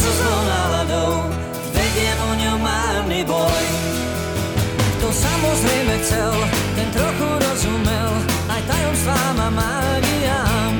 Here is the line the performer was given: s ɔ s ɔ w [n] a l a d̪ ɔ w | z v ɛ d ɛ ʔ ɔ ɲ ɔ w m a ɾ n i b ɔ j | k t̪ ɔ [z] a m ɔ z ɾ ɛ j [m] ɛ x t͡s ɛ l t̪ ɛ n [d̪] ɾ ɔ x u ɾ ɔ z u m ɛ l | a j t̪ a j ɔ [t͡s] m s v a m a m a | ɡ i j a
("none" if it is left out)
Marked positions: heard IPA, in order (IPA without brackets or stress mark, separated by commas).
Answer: n, s, m, t̪, none